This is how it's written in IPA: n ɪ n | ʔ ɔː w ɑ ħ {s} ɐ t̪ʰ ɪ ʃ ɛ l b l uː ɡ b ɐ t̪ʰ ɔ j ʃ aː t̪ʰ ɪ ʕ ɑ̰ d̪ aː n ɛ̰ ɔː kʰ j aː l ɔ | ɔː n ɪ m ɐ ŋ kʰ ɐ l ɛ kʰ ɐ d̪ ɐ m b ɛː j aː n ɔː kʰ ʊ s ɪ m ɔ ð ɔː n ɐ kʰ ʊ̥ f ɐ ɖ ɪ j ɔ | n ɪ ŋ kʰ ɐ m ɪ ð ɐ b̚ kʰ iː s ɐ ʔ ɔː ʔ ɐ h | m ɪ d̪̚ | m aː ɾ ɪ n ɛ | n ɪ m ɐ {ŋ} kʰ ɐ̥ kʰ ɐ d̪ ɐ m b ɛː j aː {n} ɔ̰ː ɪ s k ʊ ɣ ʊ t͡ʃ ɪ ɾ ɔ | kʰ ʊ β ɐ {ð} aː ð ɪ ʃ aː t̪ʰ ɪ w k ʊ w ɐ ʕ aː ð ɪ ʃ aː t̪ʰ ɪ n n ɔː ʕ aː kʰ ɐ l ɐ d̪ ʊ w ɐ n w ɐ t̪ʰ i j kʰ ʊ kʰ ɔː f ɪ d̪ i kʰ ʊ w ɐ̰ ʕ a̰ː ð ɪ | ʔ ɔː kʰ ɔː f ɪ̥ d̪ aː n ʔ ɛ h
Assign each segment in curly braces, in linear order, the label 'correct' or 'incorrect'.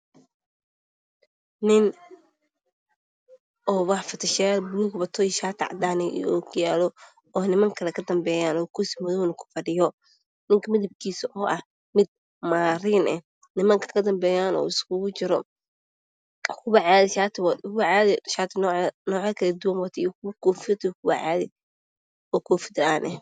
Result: incorrect: f, correct, correct, incorrect: ʕ

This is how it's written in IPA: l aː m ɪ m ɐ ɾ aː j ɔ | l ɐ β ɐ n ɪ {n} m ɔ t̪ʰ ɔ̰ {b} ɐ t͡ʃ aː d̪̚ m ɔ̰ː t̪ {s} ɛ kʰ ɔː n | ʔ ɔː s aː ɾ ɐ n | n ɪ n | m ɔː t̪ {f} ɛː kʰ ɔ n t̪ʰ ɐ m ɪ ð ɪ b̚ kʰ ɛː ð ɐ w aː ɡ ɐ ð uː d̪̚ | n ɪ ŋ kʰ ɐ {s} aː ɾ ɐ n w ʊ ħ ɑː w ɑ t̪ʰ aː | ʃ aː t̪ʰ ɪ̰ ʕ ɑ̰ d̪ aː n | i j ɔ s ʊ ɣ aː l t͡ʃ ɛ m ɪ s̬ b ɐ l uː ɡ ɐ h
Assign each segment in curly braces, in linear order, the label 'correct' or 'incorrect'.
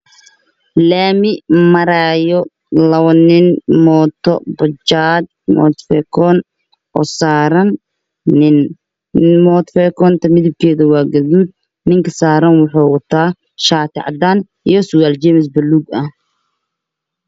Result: correct, correct, incorrect: f, correct, correct

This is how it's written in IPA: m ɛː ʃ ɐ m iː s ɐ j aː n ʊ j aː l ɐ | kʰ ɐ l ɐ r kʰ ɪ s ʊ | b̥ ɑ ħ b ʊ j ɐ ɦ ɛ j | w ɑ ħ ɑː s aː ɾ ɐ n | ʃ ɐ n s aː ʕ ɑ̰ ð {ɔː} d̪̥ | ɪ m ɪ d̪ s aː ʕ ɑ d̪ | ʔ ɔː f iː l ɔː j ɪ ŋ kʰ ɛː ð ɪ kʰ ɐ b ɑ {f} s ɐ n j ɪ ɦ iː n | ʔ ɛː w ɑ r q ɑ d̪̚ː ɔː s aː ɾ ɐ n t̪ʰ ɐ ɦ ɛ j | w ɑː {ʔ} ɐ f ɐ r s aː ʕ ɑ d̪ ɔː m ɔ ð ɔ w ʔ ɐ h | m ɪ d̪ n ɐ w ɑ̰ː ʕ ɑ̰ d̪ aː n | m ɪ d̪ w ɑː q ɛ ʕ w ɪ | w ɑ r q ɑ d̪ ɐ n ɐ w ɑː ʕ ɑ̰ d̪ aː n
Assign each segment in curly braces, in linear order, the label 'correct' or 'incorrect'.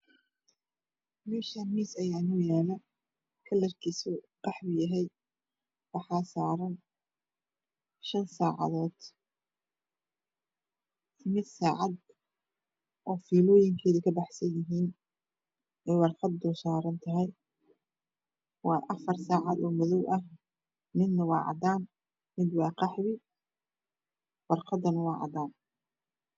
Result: correct, incorrect: ħ, correct

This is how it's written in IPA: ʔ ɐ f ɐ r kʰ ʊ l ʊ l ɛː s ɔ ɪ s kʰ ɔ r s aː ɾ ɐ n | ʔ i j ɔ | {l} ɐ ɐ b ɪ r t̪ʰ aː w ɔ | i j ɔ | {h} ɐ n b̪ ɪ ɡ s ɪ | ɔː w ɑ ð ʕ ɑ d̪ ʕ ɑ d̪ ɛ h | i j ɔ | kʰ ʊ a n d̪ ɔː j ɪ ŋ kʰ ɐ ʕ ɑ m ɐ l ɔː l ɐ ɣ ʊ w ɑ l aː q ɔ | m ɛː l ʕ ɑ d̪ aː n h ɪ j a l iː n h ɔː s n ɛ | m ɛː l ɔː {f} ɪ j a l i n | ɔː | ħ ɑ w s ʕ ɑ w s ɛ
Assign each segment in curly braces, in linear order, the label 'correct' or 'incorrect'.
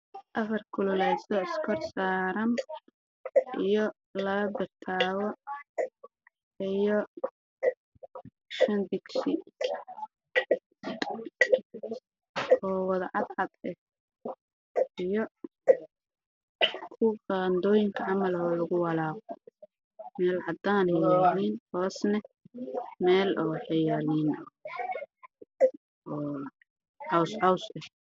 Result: correct, incorrect: ʃ, incorrect: ħ

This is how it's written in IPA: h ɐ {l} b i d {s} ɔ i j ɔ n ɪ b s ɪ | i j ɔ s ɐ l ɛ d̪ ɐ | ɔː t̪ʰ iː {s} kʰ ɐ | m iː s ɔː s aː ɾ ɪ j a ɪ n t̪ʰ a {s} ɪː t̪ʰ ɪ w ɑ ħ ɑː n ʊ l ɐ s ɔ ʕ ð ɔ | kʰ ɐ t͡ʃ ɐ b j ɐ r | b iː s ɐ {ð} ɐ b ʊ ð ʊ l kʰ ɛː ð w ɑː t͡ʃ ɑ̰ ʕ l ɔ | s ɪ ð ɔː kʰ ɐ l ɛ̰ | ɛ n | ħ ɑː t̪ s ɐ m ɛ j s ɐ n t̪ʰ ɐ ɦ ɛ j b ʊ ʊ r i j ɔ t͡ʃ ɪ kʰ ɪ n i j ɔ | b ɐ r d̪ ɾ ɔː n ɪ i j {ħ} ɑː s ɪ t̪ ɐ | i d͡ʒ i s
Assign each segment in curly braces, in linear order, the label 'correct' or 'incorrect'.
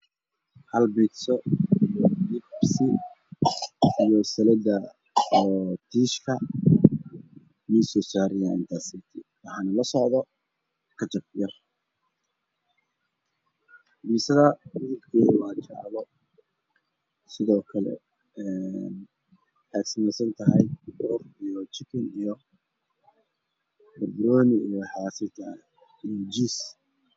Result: correct, correct, incorrect: ʃ, correct, correct, correct

